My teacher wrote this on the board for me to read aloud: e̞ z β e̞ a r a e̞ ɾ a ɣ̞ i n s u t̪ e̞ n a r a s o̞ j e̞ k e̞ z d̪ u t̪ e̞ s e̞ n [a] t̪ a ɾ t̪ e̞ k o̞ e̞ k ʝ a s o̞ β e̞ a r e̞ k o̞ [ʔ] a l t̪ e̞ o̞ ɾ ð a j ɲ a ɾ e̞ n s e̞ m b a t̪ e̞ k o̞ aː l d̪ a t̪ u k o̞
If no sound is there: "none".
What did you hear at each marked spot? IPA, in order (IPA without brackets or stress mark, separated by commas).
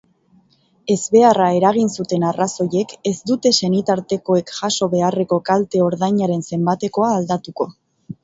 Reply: i, k